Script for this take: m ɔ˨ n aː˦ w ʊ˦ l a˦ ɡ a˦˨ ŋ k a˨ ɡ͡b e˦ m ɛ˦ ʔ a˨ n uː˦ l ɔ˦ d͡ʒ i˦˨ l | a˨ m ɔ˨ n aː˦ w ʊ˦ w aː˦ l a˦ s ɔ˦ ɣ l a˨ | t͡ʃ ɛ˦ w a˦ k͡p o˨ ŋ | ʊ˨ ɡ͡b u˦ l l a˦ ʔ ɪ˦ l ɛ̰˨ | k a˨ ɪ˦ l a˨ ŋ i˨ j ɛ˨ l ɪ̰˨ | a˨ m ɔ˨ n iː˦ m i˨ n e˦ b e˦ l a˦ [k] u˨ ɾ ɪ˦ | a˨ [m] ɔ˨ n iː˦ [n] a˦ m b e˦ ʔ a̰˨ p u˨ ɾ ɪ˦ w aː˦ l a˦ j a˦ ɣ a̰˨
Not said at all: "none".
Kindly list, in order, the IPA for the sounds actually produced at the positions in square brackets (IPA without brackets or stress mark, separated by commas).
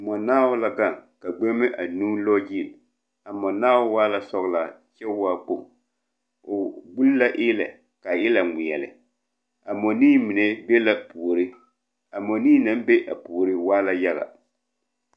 p, m, n